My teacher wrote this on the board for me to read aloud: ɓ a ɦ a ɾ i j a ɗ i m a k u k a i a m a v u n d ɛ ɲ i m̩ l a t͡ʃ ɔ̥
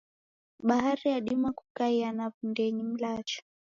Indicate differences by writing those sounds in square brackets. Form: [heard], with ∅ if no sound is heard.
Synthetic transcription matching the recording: ɓ a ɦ a ɾ i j a ɗ i m a k u k a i a [n] a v u n d ɛ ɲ i m̩ l a t͡ʃ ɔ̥